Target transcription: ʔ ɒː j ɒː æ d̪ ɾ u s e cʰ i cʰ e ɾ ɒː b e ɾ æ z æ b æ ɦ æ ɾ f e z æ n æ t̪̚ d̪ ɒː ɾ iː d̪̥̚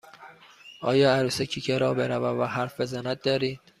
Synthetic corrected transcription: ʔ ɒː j ɒː æ ɾ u s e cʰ i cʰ e ɾ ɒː b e ɾ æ v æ v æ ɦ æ ɾ f e z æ n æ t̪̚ d̪ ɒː ɾ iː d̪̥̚

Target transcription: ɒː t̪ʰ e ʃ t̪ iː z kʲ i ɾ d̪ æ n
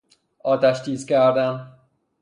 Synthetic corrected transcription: ɒː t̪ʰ æ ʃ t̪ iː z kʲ æ ɾ d̪ æ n

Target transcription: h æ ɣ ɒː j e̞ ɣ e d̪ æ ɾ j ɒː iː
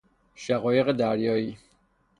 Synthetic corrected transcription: ʃ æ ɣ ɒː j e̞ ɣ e d̪ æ ɾ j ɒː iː

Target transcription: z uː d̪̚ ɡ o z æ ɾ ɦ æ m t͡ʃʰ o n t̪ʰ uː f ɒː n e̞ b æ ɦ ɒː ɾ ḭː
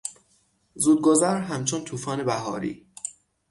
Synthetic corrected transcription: z uː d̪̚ ɡ o z æ ɾ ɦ æ m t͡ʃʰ o n t̪ʰ uː f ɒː n e̞ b æ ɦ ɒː ɾ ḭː

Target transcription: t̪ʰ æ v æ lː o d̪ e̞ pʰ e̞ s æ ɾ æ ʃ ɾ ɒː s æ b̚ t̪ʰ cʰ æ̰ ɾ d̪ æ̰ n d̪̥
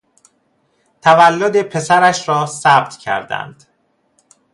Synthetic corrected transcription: t̪ʰ æ v æ lː o d̪ e̞ pʰ e̞ s æ ɾ æ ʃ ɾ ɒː s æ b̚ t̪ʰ cʰ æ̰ ɾ d̪ æ̰ n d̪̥

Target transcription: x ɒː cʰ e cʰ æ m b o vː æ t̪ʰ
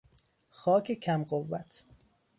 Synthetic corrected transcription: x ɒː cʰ e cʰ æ m ɢ o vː æ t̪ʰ

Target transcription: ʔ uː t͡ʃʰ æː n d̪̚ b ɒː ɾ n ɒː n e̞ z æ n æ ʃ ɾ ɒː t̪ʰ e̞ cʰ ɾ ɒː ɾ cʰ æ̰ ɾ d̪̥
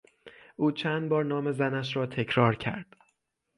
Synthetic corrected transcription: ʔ uː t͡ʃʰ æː n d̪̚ b ɒː ɾ n ɒː m e̞ z æ n æ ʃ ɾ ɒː t̪ʰ e̞ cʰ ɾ ɒː ɾ cʰ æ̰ ɾ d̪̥

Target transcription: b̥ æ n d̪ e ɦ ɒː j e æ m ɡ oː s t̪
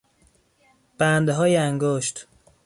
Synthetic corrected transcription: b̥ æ n d̪ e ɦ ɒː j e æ ŋ ɡ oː ʃ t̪

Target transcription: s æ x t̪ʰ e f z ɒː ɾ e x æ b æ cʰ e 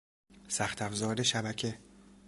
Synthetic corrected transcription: s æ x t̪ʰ æ f z ɒː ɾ e ʃ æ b æ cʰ e

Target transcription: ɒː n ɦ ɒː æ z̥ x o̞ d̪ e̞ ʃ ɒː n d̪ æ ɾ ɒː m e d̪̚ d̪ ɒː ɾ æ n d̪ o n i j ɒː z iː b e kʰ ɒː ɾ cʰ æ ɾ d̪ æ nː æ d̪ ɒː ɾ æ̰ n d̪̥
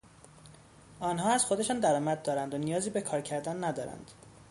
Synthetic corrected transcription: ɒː n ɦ ɒː æ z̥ x o̞ d̪ e̞ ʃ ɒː n d̪ æ ɾ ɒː m æ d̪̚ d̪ ɒː ɾ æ n d̪ o n i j ɒː z iː b e kʰ ɒː ɾ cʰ æ ɾ d̪ æ nː æ d̪ ɒː ɾ æ̰ n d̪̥

